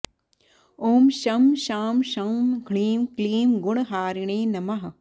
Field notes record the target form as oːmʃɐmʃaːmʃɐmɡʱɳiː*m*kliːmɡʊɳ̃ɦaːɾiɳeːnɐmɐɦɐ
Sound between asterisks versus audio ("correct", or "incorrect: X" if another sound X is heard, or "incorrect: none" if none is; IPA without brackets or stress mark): correct